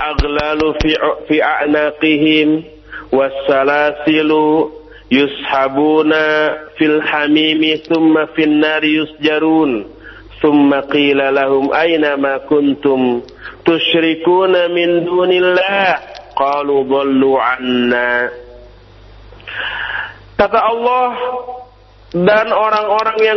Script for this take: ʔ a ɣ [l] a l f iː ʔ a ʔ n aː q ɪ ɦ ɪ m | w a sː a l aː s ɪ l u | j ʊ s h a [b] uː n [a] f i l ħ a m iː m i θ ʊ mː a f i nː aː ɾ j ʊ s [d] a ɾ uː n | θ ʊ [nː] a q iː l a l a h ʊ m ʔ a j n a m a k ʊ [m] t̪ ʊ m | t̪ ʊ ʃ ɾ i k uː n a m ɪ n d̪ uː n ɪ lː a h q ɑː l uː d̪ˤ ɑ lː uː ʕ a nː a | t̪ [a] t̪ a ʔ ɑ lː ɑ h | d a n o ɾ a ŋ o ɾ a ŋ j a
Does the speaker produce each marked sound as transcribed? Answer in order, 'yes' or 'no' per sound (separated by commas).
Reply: yes, yes, yes, no, no, no, yes